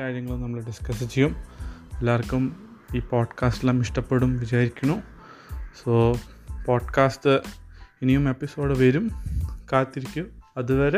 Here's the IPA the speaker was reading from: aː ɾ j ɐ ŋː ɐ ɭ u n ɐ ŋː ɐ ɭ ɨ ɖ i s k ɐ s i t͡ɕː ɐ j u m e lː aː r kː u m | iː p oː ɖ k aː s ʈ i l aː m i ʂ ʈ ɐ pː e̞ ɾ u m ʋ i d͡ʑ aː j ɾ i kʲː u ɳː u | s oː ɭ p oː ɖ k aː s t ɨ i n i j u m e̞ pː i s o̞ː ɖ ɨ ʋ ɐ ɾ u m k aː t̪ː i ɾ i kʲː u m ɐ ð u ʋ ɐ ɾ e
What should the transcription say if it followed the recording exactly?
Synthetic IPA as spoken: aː ɾ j ɐ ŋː ɐ ɭ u n ɐ mː ɐ ɭ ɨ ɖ i s k ɐ s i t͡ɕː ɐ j u m e lː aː r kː u m | iː p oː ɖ k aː s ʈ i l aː m i ʂ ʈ ɐ pː e̞ ɽ u m ʋ i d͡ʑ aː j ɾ i kʲː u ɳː u | s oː p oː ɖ k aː s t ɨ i n i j u m e̞ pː i s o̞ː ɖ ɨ ʋ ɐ ɾ u m k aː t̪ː i ɾ i kʲː u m ɐ ð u ʋ ɐ ɾ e